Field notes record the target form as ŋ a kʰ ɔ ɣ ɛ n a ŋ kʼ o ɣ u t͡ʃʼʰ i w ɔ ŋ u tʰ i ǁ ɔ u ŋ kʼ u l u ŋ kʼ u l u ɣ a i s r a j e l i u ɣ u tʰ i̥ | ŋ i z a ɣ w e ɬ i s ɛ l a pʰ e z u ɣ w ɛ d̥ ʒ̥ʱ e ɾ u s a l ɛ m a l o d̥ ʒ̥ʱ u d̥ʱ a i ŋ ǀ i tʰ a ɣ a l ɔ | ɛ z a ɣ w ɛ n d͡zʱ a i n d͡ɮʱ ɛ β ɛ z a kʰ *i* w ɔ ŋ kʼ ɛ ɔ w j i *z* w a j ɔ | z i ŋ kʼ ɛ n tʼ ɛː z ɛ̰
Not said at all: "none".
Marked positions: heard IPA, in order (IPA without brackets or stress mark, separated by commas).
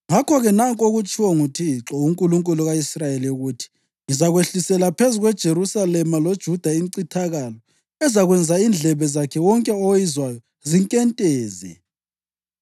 ɛ, z